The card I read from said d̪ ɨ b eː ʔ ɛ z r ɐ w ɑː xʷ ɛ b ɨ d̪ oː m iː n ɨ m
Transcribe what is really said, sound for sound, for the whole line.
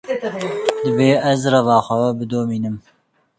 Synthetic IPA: d̪ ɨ b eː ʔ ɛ z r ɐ v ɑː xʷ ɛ b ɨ d̪ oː m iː n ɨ m